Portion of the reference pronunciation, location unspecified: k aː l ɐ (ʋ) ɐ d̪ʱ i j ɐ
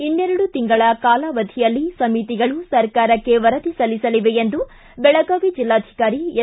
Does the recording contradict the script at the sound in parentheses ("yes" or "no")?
no